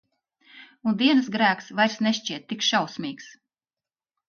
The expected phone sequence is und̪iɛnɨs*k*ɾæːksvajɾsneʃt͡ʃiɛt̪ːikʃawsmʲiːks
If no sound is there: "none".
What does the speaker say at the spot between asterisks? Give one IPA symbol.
ɡ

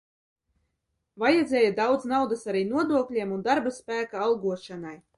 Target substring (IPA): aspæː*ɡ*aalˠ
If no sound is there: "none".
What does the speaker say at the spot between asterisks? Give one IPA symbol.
k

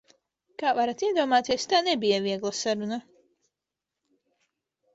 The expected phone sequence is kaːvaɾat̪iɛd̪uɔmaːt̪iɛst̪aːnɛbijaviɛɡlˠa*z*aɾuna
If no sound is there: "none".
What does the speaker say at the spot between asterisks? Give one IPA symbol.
s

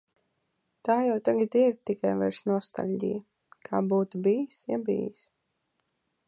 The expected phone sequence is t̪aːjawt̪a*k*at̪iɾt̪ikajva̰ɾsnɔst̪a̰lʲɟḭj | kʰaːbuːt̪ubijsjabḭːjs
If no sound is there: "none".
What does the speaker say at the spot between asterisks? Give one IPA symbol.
ɡ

